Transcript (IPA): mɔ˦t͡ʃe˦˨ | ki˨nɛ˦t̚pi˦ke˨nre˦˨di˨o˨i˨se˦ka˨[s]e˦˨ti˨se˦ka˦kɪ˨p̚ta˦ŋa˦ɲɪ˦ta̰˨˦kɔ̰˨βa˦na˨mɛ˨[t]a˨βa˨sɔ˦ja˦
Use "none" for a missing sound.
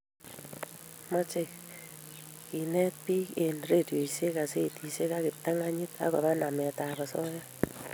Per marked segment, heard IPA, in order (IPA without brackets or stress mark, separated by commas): s, t